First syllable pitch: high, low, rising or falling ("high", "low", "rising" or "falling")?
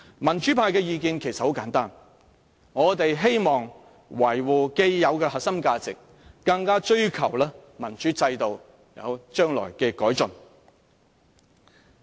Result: low